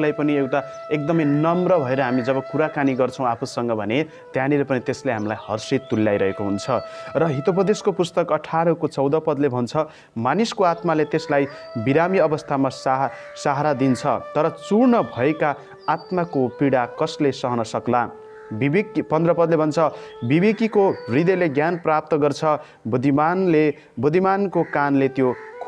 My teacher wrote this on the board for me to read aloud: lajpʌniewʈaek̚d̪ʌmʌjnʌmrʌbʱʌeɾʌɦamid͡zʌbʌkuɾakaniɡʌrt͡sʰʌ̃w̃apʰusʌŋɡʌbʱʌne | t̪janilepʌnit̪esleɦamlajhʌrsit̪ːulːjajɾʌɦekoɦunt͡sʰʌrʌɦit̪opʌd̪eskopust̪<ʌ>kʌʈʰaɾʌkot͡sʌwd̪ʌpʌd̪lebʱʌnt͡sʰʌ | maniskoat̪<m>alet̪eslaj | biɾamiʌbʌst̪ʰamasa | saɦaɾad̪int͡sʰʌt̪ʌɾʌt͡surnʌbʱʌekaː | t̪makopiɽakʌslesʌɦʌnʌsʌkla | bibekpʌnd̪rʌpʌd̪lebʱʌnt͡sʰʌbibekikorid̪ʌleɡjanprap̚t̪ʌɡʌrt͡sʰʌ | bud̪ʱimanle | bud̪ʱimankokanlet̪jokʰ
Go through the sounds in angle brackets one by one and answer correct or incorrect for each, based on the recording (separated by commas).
correct, correct